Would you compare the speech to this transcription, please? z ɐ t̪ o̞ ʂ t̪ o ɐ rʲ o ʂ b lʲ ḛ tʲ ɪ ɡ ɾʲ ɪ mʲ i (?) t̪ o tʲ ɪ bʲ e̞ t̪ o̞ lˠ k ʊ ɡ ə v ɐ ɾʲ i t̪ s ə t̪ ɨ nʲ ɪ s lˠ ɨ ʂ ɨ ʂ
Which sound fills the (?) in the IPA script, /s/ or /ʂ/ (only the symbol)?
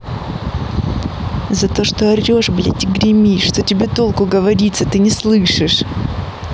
ʂ